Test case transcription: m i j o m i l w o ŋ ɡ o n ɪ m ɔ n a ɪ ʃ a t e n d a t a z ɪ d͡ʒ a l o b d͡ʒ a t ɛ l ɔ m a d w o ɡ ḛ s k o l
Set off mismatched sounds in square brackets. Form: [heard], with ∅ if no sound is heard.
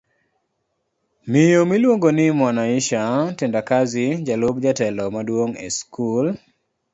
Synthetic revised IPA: m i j o m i l w o ŋ ɡ o n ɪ m ɔ n a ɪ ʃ a t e n d a [k] a z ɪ d͡ʒ a l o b d͡ʒ a t ɛ l ɔ m a d w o [ŋ] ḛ s k [u] l